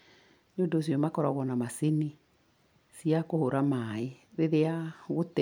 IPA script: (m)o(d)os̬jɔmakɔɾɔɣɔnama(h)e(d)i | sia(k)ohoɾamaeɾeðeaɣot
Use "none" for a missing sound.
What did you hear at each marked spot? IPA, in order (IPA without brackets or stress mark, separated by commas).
ɲ, d, s, n, k